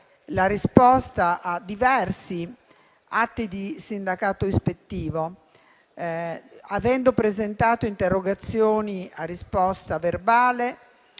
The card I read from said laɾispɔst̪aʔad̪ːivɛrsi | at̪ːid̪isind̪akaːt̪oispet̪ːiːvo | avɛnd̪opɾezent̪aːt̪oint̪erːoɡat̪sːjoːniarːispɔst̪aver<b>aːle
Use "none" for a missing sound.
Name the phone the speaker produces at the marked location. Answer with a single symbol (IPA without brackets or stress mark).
b